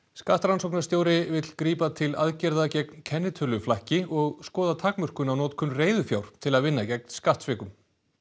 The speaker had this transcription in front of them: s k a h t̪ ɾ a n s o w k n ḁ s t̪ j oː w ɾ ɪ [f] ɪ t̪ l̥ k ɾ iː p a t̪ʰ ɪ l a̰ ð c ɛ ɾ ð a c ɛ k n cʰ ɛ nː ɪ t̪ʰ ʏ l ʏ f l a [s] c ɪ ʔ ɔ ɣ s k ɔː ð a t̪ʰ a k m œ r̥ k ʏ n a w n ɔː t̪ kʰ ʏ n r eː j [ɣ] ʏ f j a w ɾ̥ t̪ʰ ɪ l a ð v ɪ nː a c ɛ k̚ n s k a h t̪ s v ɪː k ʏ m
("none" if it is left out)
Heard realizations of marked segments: v, h, ð

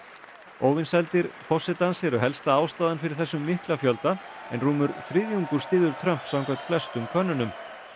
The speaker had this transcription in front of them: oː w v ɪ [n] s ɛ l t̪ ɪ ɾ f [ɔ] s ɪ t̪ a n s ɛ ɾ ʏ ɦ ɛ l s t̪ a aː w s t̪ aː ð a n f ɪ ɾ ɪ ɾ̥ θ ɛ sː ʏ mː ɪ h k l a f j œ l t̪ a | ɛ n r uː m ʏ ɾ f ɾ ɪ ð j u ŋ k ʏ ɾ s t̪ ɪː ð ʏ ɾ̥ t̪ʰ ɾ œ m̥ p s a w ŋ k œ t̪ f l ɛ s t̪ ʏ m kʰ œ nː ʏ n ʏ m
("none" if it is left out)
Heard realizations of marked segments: n, ɔ

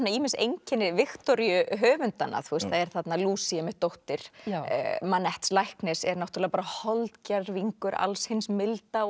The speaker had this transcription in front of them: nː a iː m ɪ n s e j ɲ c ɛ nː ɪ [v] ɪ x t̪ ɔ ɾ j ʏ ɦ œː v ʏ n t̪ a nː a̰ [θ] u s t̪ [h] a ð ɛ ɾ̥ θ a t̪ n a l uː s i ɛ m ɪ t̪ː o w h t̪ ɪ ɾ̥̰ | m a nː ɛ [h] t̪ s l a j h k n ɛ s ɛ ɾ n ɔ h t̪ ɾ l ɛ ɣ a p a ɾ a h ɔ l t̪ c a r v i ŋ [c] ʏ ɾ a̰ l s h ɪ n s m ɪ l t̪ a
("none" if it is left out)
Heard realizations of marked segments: v, θ, θ, h, k

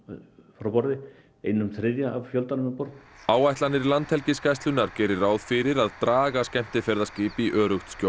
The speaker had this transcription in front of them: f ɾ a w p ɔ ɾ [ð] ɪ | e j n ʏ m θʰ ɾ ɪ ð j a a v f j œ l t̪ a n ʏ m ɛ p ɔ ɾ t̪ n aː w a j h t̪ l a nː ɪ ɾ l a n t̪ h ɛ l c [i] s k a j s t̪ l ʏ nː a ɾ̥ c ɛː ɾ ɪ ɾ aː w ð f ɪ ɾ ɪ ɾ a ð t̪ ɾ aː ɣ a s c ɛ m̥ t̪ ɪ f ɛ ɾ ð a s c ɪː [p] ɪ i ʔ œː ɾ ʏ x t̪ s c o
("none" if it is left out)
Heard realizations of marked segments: ð, ɪ, p

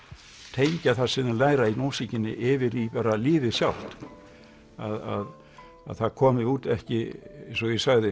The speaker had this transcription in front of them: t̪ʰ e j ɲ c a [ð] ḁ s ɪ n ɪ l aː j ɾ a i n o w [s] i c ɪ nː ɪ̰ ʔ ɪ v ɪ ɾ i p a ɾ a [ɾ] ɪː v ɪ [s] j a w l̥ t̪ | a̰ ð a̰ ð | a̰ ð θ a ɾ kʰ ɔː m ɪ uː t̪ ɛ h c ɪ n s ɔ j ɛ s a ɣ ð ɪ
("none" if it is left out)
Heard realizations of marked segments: θ, s, l, s

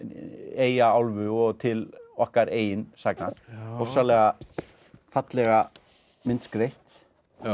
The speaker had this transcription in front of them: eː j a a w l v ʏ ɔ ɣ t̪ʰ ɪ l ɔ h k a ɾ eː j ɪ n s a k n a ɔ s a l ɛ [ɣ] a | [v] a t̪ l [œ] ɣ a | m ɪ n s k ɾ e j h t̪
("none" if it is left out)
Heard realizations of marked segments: ɣ, f, ɛ

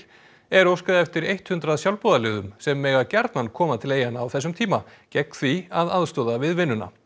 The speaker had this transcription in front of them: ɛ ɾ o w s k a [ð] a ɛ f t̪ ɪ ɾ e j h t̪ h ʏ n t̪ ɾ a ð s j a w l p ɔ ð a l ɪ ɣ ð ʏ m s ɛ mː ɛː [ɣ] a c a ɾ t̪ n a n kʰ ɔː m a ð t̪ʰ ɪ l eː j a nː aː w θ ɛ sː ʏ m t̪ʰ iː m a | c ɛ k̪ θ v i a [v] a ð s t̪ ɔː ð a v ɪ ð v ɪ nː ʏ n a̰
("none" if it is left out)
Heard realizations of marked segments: ð, ɣ, ð

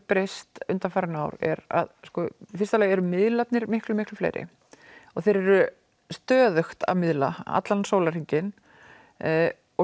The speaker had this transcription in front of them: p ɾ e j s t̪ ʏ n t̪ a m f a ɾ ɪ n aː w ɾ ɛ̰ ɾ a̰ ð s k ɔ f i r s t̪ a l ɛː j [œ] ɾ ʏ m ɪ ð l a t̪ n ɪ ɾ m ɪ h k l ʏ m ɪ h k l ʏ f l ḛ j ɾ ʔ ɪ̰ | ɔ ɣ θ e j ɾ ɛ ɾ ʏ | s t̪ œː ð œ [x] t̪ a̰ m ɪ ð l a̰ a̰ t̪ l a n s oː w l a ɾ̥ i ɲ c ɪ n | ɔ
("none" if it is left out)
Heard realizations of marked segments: ɛ, x

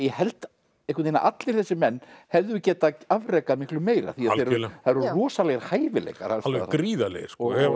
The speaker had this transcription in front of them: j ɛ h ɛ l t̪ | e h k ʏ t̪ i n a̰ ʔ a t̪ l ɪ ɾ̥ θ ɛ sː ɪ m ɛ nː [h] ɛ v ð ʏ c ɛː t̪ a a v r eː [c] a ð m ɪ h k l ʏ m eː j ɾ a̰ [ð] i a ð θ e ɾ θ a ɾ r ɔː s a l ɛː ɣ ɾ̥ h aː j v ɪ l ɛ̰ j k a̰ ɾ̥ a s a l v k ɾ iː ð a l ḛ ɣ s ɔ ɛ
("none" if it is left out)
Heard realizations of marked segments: h, k, θ

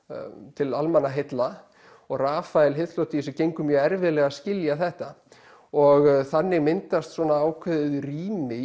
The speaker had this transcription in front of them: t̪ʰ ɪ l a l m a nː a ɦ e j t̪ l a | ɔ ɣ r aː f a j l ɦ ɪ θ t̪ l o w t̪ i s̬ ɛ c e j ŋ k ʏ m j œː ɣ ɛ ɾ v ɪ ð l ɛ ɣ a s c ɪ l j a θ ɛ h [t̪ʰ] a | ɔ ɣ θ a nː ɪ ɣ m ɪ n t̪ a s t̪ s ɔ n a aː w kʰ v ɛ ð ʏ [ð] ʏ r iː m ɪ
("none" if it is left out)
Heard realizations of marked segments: t̪, ð

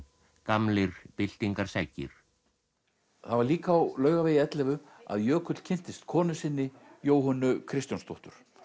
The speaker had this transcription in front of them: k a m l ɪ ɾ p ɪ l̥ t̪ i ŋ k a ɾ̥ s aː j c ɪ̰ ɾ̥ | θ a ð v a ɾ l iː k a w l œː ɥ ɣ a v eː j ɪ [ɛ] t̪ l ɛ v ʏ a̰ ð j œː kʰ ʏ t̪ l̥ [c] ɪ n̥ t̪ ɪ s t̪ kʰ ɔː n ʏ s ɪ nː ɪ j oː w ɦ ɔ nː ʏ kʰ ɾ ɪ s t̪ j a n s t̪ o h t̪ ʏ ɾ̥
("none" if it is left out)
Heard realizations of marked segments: ɛ, cʰ

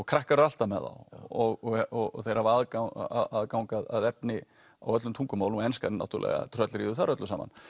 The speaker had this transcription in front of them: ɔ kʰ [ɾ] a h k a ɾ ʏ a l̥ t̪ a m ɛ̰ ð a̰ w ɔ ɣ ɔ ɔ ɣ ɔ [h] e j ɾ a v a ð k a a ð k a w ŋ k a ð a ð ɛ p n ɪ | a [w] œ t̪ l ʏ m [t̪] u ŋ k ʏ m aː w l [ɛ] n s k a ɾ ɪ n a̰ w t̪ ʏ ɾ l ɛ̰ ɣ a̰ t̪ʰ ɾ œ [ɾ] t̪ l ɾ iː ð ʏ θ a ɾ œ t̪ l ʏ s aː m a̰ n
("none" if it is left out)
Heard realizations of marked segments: ɾ, θ, w, t̪ʰ, ɛ, none

